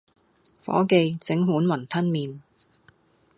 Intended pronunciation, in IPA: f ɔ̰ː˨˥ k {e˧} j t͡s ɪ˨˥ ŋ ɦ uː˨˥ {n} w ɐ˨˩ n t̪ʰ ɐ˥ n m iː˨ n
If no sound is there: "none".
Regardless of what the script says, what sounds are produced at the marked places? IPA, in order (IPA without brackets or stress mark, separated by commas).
e˧, n